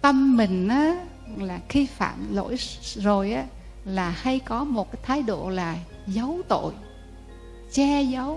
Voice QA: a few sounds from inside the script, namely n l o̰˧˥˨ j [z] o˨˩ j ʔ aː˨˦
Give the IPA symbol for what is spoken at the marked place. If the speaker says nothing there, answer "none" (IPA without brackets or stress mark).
z